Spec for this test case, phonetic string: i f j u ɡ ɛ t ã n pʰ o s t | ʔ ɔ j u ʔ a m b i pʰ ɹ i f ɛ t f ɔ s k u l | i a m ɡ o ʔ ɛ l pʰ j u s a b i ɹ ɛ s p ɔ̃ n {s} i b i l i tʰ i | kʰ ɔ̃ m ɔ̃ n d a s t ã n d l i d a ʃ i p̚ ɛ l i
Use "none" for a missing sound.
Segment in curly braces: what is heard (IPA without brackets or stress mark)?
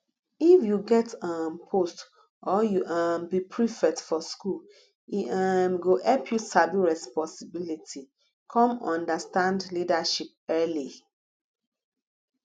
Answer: s